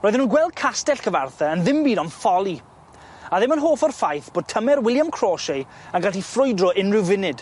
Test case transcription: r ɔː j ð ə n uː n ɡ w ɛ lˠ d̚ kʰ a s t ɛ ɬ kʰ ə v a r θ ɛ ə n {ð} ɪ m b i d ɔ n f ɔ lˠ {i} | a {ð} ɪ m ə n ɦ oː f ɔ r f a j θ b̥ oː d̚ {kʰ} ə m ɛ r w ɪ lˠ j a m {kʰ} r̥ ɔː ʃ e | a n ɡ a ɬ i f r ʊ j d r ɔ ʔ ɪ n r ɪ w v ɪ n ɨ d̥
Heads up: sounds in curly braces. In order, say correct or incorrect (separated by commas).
correct, correct, correct, incorrect, correct